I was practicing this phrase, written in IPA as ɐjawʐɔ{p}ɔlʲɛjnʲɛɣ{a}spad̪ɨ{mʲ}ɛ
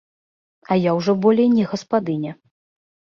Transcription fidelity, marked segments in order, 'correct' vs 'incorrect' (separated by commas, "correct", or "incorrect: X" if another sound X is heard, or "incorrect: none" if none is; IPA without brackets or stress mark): incorrect: b, incorrect: ɐ, incorrect: nʲ